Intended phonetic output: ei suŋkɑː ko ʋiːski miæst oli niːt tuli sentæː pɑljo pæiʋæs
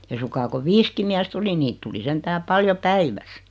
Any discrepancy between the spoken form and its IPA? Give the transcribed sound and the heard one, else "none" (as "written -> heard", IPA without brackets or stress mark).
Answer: none